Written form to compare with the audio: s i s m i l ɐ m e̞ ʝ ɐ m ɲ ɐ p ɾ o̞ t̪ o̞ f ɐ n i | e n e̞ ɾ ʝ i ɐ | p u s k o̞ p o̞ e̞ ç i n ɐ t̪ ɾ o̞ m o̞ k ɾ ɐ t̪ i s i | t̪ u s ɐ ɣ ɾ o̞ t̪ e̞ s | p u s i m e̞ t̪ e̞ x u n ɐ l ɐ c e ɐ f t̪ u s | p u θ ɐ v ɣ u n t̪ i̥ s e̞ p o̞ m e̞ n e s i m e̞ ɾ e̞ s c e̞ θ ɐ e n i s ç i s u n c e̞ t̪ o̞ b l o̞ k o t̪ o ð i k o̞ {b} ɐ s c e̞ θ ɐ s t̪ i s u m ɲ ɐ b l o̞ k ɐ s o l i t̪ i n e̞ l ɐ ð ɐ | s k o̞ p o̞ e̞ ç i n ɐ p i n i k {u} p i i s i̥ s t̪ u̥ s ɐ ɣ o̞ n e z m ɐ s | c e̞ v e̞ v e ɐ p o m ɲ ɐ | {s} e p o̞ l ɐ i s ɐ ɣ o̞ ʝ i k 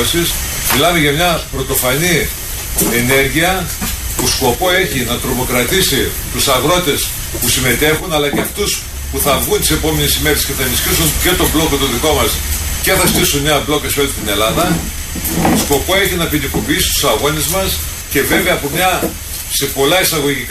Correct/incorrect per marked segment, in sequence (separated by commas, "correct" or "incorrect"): incorrect, incorrect, correct